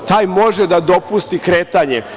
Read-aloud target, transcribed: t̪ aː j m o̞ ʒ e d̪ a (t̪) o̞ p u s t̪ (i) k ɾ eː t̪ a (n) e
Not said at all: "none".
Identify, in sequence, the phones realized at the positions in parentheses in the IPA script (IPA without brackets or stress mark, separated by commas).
d̪, i, ɲ